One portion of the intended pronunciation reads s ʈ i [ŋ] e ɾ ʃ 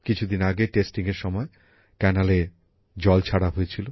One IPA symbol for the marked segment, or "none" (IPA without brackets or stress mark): ŋ